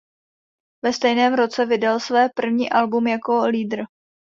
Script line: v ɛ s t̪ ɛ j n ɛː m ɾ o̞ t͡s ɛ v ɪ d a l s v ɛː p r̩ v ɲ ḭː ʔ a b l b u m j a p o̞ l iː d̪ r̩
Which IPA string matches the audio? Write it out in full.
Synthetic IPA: v ɛ s t̪ ɛ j n ɛː m ɾ o̞ t͡s ɛ v ɪ d a l s v ɛː p r̩ v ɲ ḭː ʔ a l b u m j a k o̞ l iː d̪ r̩